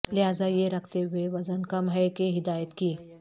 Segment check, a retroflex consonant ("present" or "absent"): absent